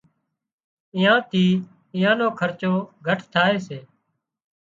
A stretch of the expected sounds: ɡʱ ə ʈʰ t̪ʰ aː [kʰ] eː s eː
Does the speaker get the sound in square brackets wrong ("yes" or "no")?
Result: yes